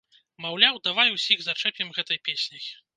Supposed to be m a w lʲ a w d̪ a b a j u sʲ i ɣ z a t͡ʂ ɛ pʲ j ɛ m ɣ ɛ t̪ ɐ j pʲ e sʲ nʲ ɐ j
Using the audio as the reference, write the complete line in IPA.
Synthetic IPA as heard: m a w lʲ a w d̪ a v a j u sʲ i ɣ z a t͡ʂ ɛ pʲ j ɛ m ɣ ɛ t̪ ɐ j pʲ e sʲ nʲ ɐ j